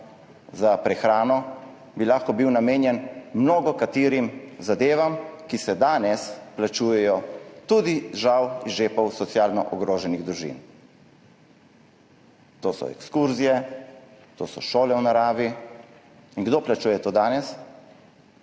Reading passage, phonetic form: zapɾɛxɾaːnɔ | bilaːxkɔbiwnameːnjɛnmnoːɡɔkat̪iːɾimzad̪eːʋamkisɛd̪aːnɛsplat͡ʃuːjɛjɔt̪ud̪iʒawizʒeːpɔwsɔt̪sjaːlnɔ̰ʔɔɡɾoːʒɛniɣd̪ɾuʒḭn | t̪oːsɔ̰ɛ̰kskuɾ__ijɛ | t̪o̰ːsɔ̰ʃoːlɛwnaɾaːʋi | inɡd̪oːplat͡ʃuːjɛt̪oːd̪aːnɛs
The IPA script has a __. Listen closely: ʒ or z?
z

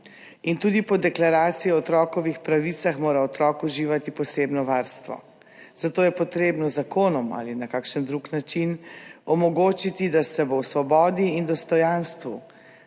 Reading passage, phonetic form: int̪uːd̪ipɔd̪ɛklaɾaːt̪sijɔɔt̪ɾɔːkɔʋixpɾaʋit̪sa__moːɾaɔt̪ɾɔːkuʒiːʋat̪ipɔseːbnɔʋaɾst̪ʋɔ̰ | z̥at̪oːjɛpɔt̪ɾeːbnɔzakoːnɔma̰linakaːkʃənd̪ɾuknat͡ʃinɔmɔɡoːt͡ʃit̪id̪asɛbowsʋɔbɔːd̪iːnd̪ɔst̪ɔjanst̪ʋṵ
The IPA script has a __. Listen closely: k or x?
x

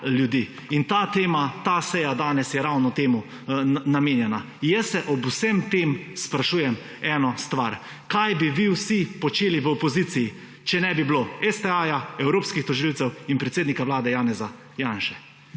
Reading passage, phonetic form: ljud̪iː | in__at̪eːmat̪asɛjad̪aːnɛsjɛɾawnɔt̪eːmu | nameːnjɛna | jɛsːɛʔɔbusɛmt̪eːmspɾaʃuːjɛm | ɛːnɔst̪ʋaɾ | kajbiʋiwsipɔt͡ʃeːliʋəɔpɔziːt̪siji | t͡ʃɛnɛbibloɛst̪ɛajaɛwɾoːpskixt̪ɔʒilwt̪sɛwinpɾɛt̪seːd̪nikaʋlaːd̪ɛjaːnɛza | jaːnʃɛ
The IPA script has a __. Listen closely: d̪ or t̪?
t̪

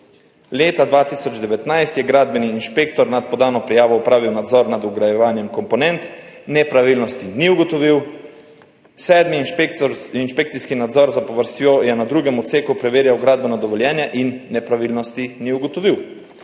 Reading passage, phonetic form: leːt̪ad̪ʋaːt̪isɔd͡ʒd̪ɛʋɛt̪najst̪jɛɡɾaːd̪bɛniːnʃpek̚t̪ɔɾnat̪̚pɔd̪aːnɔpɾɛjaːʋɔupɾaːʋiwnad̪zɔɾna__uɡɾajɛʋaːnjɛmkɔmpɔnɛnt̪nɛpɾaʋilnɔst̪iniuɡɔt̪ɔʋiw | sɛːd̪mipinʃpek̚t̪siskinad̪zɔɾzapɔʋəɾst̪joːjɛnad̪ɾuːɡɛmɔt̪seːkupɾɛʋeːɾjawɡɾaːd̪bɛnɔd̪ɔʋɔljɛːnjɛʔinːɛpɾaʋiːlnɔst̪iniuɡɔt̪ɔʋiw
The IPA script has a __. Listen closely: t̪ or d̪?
d̪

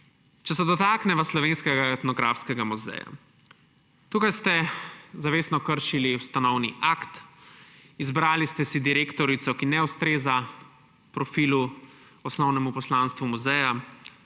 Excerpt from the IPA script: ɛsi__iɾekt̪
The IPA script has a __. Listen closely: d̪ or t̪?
d̪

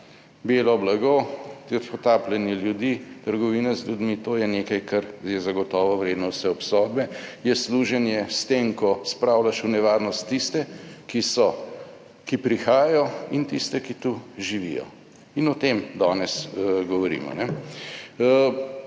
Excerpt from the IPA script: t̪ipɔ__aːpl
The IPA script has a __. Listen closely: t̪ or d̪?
t̪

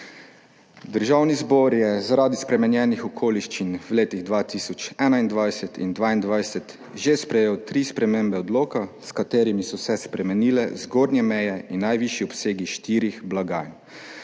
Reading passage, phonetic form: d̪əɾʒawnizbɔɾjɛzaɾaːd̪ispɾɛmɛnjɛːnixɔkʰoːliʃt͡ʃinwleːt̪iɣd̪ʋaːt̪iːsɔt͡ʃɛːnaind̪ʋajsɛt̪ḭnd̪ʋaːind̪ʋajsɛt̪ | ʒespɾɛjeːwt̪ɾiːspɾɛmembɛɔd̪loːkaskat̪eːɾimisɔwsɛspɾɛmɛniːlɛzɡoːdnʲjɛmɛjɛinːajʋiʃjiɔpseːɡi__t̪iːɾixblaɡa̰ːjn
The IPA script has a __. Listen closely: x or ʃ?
ʃ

